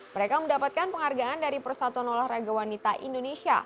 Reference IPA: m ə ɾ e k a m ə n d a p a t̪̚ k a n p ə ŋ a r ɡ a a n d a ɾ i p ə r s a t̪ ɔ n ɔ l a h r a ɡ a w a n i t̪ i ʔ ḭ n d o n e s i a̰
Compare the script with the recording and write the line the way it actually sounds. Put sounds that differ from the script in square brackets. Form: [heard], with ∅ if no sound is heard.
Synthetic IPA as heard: m ə ɾ e k a m ə n d a p a t̪̚ k a n p ə ŋ a r ɡ a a n d a ɾ i p ə r s a t̪ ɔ n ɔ l a h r a ɡ a w a n i t̪ [a] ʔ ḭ n d o n e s i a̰